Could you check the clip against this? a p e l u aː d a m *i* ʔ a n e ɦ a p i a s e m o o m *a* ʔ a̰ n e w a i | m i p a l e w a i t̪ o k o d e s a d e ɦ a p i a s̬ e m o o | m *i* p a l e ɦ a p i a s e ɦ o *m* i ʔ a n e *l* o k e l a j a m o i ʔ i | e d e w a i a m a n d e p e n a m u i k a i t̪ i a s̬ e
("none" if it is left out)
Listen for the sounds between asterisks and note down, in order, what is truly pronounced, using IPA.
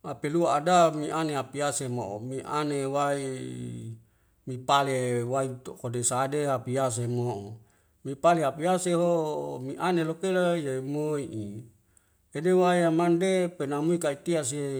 i, i, i, m, l

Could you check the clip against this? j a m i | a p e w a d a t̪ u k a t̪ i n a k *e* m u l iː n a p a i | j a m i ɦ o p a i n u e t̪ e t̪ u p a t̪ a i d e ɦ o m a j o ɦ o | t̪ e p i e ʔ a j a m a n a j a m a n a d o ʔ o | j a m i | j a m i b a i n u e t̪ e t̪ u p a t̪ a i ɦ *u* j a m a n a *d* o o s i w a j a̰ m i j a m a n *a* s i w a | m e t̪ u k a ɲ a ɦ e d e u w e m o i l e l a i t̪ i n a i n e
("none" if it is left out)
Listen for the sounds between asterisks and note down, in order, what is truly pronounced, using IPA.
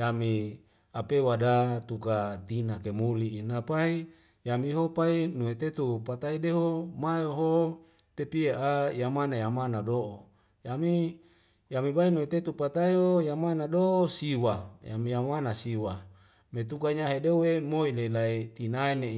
e, o, d, a

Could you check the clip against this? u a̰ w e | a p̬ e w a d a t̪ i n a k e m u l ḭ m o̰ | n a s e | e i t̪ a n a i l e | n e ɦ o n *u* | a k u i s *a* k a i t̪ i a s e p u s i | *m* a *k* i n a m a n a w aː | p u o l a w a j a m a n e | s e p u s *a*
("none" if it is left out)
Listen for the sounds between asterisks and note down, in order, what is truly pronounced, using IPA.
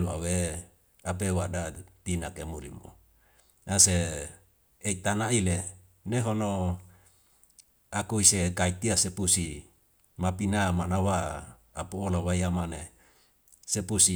o, e, m, p, i

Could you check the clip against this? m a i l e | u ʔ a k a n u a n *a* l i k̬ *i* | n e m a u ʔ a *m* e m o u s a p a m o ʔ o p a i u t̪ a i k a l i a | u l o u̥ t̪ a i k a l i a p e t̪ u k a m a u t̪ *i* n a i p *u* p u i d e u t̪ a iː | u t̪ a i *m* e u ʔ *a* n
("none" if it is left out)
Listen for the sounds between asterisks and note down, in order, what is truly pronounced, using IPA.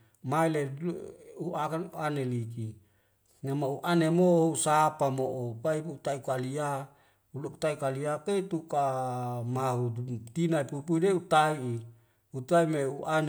e, i, n, i, u, m, a

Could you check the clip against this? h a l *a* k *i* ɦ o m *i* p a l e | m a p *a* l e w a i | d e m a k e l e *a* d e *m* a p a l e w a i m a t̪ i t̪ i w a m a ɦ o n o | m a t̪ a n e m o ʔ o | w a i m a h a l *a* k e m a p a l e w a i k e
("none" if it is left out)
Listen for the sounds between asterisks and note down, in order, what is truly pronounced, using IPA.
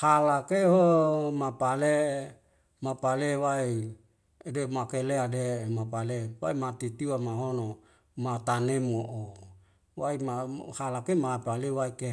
a, e, a, a, a, m, a

